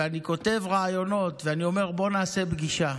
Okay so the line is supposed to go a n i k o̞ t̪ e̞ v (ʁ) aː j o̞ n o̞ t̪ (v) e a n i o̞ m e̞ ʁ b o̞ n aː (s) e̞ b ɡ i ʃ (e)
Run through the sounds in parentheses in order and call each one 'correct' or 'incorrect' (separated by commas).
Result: correct, correct, correct, incorrect